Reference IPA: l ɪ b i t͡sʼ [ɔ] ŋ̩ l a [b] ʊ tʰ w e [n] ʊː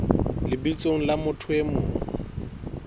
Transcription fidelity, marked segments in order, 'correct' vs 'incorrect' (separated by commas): incorrect, incorrect, incorrect